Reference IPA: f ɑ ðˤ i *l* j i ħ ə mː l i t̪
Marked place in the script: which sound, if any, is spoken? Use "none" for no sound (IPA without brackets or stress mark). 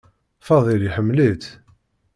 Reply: l